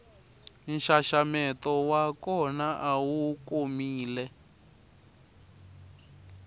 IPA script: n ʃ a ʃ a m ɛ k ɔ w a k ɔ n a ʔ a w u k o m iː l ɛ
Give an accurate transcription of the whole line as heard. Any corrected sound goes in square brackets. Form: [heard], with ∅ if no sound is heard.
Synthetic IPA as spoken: n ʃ a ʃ a m ɛ [t] ɔ w a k ɔ n a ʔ a w u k o m iː l ɛ